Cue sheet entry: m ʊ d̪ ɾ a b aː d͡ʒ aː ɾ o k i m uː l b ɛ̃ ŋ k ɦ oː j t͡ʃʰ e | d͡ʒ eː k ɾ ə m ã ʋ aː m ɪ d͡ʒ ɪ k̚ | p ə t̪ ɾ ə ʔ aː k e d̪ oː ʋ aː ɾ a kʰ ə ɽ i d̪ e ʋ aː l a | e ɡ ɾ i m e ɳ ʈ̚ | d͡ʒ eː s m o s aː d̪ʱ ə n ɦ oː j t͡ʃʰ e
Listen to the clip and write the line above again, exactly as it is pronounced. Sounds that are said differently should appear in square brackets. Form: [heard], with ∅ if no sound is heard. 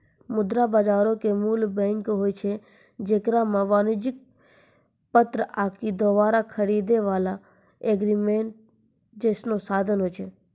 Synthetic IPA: m ʊ d̪ ɾ a b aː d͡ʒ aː ɾ o k [e] m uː l b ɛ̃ ŋ k ɦ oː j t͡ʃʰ e | d͡ʒ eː k ɾ [a] m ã ʋ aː [n] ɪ d͡ʒ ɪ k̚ | p ə t̪ ɾ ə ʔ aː k [i] d̪ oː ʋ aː ɾ a kʰ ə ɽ i d̪ e ʋ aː l a | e ɡ ɾ i m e ɳ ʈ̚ | d͡ʒ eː s [n] o s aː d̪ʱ ə n ɦ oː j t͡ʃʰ e